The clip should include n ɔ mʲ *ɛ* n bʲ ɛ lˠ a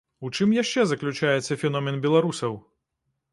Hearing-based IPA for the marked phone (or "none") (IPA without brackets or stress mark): ɛ